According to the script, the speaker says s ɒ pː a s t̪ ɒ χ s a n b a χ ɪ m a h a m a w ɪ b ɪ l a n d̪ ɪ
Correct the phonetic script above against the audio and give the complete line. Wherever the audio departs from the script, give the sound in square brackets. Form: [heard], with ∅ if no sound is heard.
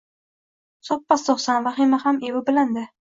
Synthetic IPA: s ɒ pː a s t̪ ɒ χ s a n [v] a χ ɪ m a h a m [e] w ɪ b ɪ l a n d̪ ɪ